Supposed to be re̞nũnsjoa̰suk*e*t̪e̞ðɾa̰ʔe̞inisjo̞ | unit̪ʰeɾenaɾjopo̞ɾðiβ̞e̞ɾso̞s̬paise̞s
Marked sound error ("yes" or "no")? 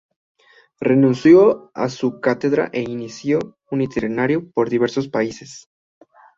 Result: yes